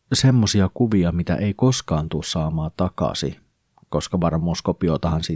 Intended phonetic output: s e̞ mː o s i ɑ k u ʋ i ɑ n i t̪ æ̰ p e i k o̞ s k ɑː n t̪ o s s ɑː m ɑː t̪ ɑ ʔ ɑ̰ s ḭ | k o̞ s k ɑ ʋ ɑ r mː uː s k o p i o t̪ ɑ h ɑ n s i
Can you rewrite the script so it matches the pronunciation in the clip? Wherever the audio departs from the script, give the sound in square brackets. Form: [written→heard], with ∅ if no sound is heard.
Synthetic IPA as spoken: s e̞ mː o s i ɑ k u ʋ i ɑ [n→m] i t̪ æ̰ [p→ʔ] e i k o̞ s k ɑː n t̪ [o→u] s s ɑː m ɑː t̪ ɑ [ʔ→k] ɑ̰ s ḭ | k o̞ s k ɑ ʋ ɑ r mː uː s k o p i o t̪ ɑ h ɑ n s i